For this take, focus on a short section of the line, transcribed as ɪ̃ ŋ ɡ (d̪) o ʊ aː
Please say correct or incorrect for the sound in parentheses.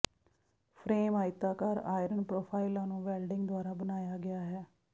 correct